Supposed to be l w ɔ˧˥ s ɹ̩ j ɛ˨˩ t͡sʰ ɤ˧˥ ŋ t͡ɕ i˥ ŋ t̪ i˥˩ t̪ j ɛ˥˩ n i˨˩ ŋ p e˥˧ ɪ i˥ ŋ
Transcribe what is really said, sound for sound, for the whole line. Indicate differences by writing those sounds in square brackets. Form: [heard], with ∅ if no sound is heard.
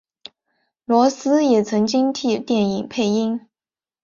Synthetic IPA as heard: l w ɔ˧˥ s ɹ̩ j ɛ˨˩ t͡sʰ ɤ˧˥ ŋ t͡ɕ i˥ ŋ [t̪ʰ] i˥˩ t̪ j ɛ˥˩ n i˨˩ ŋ [pʰ] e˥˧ ɪ i˥ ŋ